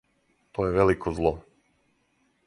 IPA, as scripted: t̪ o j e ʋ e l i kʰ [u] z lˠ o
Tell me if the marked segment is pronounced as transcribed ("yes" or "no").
no